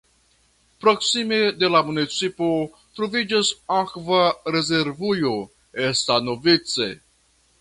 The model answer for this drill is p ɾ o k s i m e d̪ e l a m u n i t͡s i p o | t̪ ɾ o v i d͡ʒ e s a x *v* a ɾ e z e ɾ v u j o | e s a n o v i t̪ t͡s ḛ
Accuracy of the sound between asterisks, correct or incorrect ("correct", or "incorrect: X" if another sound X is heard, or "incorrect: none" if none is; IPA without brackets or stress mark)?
correct